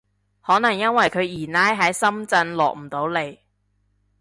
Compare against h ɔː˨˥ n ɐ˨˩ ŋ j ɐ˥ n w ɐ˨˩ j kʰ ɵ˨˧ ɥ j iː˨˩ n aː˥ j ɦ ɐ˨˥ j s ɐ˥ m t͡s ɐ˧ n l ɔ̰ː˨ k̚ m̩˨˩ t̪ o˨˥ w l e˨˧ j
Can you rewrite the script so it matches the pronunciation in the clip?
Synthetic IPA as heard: h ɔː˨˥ n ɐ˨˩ ŋ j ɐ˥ n w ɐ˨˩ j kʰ ɵ˨˧ ɥ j iː˨˩ n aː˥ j ɦ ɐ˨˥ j s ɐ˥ m t͡s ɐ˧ n l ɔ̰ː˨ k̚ m̩˨˩ t̪ o˨˥ w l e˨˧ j